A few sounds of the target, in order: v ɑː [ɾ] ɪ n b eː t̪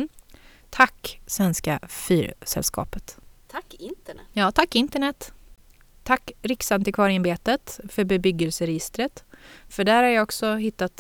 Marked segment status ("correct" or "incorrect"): correct